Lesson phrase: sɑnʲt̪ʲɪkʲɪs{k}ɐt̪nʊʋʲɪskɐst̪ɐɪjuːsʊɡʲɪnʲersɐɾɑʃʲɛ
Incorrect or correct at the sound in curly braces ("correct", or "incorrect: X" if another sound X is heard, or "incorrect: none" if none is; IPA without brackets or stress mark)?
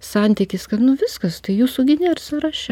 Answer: correct